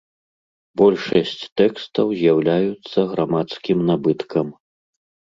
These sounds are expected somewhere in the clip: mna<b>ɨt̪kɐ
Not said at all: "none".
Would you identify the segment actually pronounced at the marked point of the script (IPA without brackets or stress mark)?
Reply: b